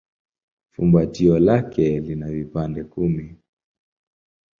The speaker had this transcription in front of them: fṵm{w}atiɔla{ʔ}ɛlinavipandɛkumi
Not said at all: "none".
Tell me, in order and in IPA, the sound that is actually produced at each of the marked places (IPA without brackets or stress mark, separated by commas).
b, k